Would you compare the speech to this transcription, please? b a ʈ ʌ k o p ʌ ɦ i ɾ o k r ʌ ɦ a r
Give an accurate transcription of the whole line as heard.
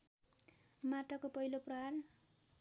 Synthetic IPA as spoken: m a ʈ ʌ k o p ʌ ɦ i l o p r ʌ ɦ a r